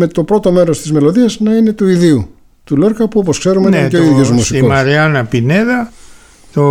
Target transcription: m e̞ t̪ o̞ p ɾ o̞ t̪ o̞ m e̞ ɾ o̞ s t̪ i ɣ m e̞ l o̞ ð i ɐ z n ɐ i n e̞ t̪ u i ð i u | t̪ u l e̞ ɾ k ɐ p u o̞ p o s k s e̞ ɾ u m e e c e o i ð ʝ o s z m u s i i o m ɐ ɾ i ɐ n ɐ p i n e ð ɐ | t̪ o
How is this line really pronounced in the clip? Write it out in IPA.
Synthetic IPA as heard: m e̞ t̪ o̞ p ɾ o̞ t̪ o̞ m e̞ ɾ o̞ s t̪ i z m e̞ l o̞ ð i ɐ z n ɐ i n e̞ t̪ u i ð i u | t̪ u l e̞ ɾ k ɐ p u o̞ p o s k s e̞ ɾ u m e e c e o i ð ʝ o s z m u s i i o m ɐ ɾ i ɐ n ɐ p i n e ð ɐ | t̪ o